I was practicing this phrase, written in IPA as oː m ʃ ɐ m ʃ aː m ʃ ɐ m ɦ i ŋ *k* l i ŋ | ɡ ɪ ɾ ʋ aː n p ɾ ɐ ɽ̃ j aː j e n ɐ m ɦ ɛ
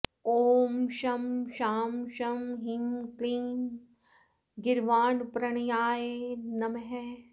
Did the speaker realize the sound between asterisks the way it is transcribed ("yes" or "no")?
yes